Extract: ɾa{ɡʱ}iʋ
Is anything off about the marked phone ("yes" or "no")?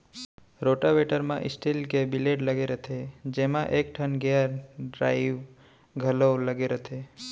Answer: yes